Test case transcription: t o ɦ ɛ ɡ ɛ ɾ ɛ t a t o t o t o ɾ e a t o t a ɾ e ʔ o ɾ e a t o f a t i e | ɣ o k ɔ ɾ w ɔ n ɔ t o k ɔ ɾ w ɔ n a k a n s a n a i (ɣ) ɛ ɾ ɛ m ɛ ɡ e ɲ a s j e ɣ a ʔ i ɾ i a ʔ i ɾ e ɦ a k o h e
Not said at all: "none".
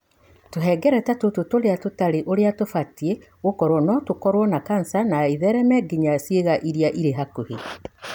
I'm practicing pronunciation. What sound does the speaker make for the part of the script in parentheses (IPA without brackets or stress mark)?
ð